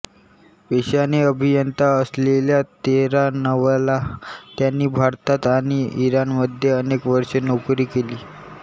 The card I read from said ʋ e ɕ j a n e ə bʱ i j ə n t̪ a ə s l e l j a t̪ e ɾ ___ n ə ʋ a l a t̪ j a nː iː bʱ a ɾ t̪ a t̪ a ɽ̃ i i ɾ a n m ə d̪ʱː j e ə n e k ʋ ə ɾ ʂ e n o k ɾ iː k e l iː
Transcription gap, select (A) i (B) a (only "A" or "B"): B